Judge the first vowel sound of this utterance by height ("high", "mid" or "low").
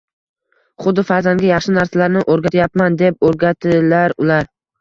high